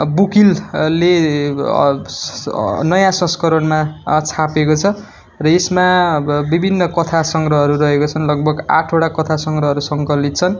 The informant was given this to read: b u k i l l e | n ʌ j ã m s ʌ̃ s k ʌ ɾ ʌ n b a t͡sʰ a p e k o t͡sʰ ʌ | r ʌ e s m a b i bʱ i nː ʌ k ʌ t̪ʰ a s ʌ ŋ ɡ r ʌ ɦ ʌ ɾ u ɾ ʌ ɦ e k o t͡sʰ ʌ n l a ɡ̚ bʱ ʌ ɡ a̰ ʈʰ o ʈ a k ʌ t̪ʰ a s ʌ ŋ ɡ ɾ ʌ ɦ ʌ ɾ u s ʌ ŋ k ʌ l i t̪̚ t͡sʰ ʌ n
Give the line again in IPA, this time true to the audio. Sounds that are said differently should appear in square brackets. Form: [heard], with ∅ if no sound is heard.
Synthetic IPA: b u k i l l e | n ʌ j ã [∅] s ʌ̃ s k ʌ ɾ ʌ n [m] a t͡sʰ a p e k o t͡sʰ ʌ | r ʌ e s m a b i bʱ i nː ʌ k ʌ t̪ʰ a s ʌ ŋ ɡ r ʌ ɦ ʌ ɾ u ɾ ʌ ɦ e k o t͡sʰ ʌ n l [ʌ] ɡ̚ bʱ ʌ ɡ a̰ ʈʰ o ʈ a k ʌ t̪ʰ a s ʌ ŋ ɡ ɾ ʌ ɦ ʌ ɾ u s ʌ ŋ k ʌ l i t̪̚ t͡sʰ ʌ n